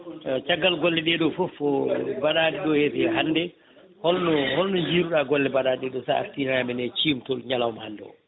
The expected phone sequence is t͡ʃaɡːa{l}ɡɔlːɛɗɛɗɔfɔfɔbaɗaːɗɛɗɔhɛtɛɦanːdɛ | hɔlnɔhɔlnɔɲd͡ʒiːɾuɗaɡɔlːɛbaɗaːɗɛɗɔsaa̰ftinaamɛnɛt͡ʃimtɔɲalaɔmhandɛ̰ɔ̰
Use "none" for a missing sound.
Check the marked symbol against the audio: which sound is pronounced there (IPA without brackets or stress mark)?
l